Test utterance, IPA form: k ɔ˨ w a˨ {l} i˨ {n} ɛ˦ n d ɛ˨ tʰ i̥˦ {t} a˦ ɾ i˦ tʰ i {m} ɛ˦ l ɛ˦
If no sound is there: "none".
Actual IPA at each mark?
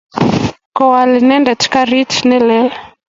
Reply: l, n, k, n

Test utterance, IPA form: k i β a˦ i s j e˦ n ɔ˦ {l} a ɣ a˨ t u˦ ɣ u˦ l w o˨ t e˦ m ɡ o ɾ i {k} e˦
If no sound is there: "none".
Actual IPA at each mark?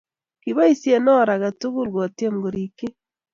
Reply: ɾ, k

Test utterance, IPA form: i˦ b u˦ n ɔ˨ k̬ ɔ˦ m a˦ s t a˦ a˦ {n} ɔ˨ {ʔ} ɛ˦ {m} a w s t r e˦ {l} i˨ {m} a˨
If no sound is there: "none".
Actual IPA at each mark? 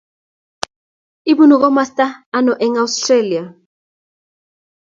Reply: n, ʔ, ŋ, l, none

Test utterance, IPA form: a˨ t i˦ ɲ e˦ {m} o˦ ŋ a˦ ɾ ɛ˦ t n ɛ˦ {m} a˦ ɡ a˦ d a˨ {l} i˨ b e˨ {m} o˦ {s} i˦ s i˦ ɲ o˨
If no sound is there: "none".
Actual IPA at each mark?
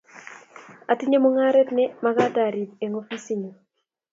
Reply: m, m, ɾ, ŋ, f

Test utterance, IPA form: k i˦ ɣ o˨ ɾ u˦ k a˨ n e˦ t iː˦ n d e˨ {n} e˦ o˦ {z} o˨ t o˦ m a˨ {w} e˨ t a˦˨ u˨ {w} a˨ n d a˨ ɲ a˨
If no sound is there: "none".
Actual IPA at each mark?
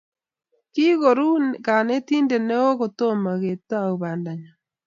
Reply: n, ɣ, ɣ, β

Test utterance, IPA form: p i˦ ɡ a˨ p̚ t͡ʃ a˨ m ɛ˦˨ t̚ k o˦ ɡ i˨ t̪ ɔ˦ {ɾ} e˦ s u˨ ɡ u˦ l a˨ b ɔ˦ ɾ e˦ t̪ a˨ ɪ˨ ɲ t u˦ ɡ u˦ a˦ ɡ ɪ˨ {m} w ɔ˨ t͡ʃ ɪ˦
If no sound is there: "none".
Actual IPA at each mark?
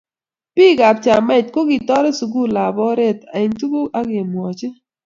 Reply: ɾ, m

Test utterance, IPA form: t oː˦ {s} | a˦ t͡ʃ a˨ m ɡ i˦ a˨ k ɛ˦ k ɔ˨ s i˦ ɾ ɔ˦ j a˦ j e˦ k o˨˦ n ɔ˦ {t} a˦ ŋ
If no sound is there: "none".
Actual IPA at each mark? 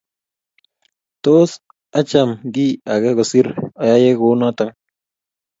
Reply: s, t

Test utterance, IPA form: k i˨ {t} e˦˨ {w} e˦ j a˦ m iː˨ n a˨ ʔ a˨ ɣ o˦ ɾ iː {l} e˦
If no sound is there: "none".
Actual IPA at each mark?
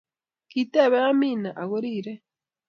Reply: t, β, ɾ

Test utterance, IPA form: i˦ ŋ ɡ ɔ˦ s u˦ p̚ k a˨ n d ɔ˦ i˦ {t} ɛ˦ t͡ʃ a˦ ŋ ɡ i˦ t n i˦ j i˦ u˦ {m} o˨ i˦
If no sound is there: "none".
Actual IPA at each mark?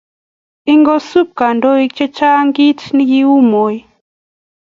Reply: t͡ʃ, m

